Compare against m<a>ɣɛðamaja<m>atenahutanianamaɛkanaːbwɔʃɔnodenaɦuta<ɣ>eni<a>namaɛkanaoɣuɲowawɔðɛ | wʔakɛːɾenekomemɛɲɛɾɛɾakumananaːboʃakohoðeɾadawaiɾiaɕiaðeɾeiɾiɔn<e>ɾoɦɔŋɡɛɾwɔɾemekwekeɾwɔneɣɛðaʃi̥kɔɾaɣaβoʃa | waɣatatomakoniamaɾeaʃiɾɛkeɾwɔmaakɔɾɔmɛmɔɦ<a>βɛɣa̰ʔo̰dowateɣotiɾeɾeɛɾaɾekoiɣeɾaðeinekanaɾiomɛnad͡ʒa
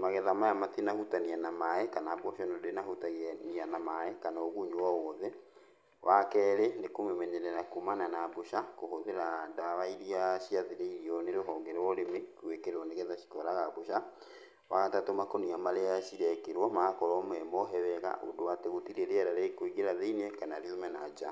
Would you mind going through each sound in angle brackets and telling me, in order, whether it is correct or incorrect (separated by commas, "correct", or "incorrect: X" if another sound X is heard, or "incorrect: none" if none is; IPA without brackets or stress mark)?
correct, correct, correct, correct, correct, incorrect: ɛ